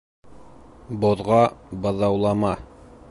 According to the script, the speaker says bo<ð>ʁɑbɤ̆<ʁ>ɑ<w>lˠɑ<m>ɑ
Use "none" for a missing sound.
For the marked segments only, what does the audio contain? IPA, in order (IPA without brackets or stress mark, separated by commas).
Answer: ð, ð, w, m